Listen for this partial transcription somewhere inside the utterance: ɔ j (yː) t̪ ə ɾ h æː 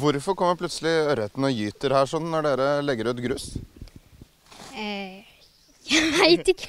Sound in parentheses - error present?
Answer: no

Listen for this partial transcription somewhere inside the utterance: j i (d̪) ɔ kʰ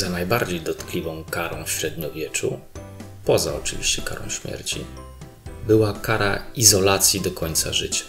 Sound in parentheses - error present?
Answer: no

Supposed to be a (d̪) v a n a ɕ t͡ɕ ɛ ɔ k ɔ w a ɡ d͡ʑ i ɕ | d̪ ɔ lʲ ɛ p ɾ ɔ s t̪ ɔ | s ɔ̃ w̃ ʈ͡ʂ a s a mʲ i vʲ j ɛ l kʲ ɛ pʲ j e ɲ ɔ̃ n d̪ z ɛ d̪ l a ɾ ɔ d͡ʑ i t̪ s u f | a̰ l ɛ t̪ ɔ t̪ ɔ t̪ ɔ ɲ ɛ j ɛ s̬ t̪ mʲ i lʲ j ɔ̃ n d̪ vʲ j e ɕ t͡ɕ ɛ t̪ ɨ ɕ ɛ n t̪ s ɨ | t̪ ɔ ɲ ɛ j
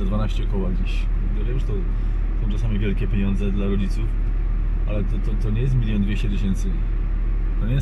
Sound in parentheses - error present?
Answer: no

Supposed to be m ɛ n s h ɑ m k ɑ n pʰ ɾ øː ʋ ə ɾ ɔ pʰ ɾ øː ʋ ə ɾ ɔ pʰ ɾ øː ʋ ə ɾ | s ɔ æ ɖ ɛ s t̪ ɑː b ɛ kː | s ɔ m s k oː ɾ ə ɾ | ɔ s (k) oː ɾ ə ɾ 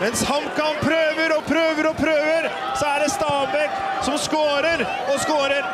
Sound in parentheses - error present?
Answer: no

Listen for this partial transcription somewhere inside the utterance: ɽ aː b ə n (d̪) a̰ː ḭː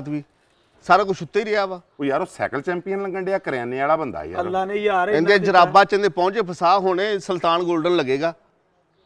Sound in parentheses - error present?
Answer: no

